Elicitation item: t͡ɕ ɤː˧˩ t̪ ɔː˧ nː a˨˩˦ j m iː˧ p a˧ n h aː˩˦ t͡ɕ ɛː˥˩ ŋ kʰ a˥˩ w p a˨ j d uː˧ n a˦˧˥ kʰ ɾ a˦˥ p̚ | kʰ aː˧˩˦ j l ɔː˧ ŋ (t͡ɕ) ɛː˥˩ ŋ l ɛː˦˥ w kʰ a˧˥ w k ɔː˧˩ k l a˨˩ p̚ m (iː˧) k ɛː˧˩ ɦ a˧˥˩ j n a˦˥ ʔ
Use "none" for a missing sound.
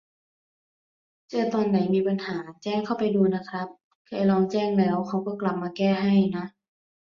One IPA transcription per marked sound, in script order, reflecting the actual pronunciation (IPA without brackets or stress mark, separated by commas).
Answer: t͡ɕ, aː˧